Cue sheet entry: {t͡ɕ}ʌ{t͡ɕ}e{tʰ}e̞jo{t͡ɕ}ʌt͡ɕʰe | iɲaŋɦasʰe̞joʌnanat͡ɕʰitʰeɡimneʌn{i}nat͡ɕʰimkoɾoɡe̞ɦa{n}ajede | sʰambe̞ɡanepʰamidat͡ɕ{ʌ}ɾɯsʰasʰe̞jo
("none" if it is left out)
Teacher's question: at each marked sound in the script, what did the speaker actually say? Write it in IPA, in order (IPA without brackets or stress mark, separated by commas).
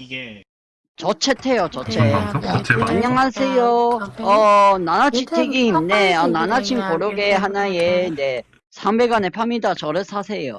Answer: t͡ɕ, t͡ɕʰ, tʰ, t͡ɕ, a, n, ʌ